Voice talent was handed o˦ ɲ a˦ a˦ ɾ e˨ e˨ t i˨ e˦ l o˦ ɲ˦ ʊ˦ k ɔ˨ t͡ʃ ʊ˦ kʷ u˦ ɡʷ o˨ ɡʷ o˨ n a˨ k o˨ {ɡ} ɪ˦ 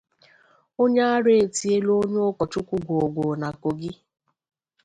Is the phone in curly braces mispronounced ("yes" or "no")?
no